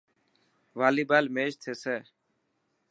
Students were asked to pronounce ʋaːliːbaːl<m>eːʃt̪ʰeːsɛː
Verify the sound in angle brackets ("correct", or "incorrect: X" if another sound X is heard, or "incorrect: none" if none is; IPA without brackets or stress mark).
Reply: correct